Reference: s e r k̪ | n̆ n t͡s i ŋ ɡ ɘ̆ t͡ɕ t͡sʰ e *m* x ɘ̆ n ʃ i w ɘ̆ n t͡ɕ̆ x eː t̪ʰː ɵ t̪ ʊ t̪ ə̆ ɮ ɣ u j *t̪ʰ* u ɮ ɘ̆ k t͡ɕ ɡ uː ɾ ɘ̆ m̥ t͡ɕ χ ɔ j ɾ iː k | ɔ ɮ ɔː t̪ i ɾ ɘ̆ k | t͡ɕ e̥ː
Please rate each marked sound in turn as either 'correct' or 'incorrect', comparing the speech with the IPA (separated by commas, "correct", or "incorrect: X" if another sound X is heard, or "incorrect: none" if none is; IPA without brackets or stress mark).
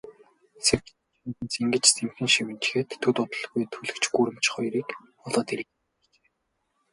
correct, correct